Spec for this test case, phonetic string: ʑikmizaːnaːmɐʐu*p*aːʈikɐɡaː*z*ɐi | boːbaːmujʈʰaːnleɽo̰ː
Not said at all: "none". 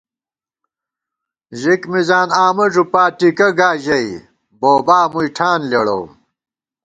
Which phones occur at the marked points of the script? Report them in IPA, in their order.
p, ʑ

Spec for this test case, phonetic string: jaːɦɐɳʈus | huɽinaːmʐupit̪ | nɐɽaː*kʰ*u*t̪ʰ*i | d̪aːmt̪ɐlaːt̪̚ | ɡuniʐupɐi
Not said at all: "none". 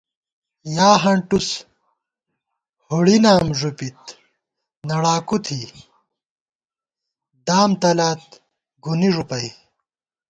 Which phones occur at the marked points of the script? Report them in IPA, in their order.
k, t̪ʰ

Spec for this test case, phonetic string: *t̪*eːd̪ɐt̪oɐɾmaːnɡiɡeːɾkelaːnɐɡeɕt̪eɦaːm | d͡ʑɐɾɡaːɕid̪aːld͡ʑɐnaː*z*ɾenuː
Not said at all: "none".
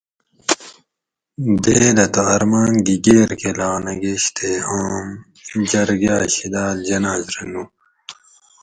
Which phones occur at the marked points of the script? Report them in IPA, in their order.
d̪, z

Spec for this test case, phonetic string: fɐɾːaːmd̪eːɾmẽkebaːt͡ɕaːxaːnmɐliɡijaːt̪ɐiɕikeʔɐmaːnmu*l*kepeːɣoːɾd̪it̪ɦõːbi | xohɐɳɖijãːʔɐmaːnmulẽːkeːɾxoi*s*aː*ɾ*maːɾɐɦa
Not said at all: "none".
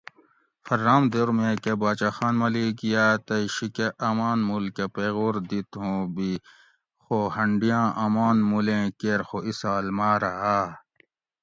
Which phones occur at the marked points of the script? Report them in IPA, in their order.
l, s, l

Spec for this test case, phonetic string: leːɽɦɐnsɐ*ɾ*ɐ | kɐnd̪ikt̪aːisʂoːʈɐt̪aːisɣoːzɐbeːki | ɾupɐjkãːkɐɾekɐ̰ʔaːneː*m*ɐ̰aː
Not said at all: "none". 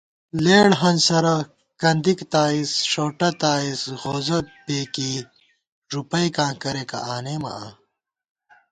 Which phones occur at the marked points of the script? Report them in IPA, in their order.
ɾ, m

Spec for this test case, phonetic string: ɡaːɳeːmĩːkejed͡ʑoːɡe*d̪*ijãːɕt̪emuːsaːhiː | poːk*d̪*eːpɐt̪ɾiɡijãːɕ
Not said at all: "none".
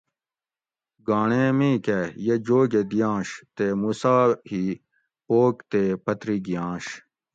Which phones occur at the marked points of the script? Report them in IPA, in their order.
d̪, t̪

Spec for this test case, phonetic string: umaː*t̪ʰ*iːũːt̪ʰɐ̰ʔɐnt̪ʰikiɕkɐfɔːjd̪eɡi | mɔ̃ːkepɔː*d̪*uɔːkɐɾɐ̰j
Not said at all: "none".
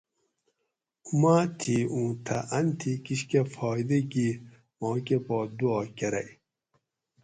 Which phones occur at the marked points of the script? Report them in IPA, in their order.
t̪ʰ, d̪

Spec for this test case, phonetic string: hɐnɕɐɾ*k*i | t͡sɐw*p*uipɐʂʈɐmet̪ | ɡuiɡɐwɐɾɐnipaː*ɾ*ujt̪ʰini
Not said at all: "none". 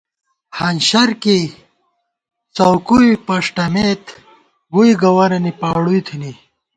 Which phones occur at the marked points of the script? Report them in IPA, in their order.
k, k, ɽ

